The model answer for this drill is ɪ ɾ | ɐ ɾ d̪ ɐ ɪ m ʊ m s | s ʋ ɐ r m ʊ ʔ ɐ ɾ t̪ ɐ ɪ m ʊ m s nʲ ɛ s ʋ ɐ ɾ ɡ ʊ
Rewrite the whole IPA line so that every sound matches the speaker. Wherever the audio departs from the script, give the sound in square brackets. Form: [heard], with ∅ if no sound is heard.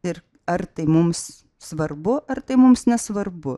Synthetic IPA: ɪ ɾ | ɐ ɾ [t̪] ɐ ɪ m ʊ m s | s ʋ ɐ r [b] ʊ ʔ ɐ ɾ t̪ ɐ ɪ m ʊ m s nʲ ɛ s ʋ ɐ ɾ [b] ʊ